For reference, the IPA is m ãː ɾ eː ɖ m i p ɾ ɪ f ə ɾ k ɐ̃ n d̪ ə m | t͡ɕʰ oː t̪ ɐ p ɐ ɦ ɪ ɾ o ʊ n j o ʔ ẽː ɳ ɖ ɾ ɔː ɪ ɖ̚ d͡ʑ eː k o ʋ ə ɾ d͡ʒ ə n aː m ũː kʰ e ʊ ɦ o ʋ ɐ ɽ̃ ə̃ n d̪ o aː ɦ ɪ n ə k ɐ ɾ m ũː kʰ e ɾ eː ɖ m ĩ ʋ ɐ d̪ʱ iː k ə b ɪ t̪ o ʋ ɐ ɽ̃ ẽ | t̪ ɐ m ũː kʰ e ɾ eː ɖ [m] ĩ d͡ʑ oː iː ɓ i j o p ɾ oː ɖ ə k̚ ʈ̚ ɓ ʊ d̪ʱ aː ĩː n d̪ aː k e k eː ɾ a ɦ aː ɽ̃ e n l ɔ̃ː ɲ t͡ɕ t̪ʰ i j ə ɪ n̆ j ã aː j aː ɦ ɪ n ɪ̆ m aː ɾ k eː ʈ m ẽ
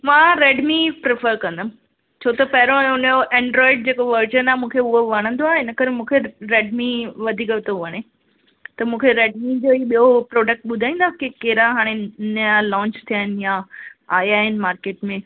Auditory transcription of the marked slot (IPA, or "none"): m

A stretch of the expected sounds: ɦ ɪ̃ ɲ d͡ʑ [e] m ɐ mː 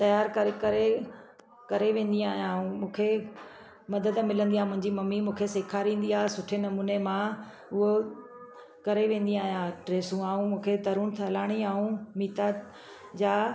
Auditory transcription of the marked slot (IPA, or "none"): i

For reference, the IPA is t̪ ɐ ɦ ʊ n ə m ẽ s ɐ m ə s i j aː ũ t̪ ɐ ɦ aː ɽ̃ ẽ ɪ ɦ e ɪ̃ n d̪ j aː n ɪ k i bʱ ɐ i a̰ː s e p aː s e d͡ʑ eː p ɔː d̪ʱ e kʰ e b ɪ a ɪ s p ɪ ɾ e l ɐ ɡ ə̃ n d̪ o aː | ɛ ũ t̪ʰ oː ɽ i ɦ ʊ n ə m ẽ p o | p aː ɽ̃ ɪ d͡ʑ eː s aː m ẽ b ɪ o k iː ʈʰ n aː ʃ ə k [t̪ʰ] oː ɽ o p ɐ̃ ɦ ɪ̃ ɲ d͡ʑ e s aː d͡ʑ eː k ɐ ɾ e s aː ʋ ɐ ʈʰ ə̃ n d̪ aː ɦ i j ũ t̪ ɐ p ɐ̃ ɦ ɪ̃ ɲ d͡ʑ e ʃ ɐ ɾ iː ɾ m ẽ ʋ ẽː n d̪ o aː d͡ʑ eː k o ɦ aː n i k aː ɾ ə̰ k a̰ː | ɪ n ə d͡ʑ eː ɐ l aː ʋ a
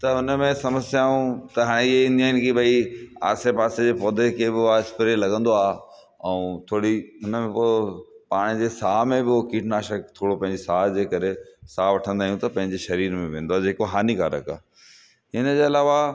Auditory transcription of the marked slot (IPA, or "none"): t̪ʰ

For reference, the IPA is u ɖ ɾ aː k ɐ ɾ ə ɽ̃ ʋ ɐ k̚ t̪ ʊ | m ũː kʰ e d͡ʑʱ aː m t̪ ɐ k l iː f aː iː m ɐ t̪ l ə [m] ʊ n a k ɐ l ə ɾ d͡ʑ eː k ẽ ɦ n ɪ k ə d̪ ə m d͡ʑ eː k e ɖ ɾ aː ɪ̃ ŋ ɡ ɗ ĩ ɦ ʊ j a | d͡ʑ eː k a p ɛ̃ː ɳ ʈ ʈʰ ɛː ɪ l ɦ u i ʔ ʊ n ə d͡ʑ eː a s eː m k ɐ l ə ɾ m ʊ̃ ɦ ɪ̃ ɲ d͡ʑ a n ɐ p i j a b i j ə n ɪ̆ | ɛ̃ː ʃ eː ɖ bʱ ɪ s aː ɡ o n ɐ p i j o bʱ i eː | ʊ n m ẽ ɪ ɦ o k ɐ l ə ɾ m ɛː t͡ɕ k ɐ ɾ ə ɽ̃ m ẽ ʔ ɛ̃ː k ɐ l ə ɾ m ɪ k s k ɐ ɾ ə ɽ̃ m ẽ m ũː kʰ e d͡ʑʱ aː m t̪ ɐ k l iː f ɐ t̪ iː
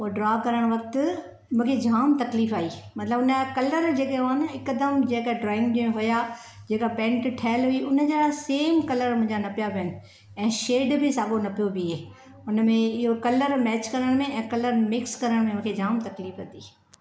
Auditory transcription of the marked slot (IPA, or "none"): b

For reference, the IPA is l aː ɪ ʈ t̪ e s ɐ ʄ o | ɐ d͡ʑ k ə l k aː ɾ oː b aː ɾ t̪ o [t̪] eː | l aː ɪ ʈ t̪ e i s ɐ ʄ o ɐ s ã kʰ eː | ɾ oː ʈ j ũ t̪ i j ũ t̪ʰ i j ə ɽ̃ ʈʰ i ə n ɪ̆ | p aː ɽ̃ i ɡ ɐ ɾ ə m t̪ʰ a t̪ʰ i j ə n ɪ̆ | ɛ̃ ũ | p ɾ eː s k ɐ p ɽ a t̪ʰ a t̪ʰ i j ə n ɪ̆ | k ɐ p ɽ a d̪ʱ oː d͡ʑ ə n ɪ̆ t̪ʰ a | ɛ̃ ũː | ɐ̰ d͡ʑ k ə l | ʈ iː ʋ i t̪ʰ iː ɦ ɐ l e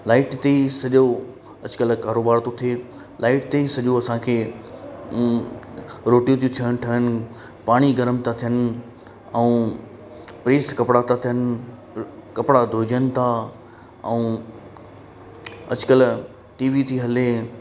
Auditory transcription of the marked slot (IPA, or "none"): t̪ʰ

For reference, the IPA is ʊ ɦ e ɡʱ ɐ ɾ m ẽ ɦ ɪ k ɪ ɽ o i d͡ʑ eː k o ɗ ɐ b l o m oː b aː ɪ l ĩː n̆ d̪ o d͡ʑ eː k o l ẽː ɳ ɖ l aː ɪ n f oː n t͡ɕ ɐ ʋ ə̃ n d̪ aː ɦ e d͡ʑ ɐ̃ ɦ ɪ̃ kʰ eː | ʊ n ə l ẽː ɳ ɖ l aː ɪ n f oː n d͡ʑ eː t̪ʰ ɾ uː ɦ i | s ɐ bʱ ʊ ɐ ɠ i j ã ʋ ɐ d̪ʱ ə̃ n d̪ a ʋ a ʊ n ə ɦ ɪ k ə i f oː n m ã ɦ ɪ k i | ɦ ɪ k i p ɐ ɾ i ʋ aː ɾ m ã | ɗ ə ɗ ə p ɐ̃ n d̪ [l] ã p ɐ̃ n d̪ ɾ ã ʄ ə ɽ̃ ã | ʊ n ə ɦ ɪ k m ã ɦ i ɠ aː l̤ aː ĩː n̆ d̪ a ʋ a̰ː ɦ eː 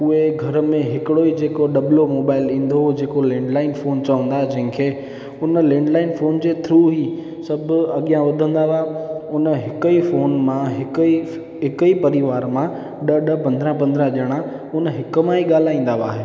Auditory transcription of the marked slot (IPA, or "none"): ɾ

